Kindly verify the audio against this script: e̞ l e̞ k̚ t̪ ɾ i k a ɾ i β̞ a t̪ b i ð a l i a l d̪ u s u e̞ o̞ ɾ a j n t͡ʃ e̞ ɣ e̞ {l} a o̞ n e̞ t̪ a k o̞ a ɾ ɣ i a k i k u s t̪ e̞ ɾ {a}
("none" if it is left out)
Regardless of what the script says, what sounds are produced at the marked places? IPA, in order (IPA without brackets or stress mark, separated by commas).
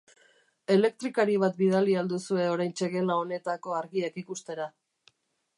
l, a